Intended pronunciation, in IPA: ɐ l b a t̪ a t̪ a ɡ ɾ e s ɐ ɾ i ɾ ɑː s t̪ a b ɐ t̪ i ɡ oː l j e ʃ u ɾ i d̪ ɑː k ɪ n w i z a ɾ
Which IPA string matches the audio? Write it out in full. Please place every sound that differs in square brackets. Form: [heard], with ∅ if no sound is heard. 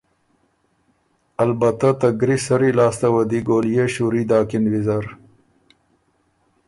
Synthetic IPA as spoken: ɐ l b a t̪ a t̪ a ɡ ɾ [i] s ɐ ɾ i [l] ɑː s t̪ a [w] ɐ [d̪] i ɡ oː l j e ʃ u ɾ i d̪ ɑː k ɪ n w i z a ɾ